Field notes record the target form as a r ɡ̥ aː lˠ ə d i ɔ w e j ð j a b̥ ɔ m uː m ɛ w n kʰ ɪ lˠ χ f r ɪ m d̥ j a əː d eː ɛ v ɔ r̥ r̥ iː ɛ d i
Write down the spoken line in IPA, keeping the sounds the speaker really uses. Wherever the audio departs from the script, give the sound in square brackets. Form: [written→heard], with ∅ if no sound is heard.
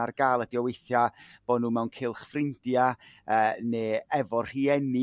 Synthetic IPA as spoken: a r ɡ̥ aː lˠ ə d i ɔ w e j [ð→θ] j a b̥ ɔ [m→n] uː m ɛ w n kʰ ɪ lˠ χ f r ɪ [m→n] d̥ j a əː [d→n] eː ɛ v ɔ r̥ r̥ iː ɛ [d→n] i